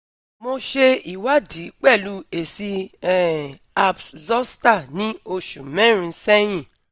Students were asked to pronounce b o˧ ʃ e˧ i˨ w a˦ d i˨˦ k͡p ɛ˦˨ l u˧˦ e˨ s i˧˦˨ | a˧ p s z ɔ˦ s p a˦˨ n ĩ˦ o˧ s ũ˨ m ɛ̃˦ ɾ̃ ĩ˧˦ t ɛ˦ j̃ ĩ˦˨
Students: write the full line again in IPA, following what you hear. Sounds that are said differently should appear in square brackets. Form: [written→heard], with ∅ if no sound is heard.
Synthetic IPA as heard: [b→m] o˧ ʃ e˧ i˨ w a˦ d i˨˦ k͡p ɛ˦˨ l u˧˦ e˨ s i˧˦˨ | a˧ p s z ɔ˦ s [p→t] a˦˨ n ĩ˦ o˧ [s→ʃ] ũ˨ m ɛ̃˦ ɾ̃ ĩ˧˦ [t→s] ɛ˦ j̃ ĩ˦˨

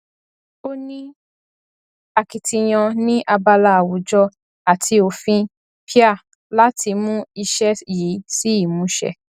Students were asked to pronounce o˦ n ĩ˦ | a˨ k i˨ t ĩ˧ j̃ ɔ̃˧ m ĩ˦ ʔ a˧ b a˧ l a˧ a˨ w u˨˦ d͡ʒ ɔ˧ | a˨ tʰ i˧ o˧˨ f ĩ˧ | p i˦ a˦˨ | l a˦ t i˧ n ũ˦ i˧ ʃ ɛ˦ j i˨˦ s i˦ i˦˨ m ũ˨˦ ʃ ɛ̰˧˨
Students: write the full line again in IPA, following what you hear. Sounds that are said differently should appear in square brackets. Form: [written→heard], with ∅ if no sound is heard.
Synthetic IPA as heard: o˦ n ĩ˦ | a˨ k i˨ t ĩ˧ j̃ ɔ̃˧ [m→n] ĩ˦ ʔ a˧ b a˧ l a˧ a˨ w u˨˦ d͡ʒ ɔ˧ | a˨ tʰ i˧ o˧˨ f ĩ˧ | p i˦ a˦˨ | l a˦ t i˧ [n→m] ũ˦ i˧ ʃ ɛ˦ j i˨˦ s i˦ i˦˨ m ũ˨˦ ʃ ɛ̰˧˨

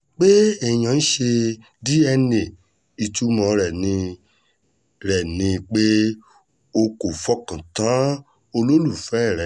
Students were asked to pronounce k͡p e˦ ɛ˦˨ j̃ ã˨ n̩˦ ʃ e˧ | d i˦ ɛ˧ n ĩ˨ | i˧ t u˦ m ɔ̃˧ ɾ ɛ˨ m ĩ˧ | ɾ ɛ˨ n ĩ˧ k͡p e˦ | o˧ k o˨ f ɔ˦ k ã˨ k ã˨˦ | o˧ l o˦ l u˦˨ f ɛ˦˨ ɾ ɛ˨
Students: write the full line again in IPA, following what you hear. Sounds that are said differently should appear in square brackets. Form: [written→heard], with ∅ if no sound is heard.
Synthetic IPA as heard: k͡p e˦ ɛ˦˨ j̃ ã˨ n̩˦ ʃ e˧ | d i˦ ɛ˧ n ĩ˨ | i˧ t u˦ m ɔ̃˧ ɾ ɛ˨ [m→n] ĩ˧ | ɾ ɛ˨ n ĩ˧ k͡p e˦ | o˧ k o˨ f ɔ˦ k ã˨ [k→t] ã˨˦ | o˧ l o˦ l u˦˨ f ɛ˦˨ ɾ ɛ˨

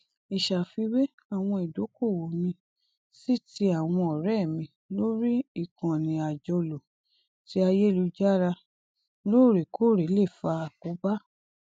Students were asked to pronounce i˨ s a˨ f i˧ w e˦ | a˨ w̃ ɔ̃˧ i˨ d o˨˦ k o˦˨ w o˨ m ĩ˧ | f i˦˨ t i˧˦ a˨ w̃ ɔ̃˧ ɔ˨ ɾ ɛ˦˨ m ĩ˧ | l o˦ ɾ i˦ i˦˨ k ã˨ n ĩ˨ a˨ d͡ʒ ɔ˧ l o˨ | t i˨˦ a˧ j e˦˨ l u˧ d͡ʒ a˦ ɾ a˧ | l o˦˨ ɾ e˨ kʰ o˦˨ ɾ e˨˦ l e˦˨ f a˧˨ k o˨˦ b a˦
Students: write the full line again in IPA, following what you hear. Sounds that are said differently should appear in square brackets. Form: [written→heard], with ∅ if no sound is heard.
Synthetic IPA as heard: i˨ [s→ʃ] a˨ f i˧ w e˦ | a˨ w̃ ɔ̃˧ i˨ d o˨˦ k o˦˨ w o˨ m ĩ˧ | [f→s] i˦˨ t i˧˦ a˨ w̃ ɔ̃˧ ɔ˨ ɾ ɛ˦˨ m ĩ˧ | l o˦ ɾ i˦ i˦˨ k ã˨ n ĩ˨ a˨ d͡ʒ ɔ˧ l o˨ | t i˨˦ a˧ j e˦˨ l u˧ d͡ʒ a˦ ɾ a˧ | l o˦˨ ɾ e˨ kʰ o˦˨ ɾ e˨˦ l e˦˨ f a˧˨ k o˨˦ b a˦

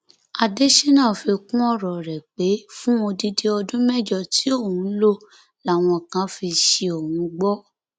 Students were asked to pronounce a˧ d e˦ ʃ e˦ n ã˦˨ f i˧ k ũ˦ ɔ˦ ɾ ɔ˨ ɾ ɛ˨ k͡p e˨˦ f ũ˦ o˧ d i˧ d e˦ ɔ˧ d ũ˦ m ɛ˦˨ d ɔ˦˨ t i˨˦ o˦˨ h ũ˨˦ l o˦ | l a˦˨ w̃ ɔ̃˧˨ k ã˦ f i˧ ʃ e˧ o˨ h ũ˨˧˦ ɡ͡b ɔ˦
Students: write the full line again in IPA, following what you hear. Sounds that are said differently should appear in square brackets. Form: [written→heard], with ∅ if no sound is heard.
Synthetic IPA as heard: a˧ d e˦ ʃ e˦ n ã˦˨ f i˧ k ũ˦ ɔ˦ ɾ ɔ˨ ɾ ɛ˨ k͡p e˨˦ f ũ˦ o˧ d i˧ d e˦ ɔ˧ d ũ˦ m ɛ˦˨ [d→d͡ʒ] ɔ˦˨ t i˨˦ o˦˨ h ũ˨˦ l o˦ | l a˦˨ w̃ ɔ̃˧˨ k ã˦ f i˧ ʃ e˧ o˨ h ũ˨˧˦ ɡ͡b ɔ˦

